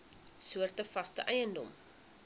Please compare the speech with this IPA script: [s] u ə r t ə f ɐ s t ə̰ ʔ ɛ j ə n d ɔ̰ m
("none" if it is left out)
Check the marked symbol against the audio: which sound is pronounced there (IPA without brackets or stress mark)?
s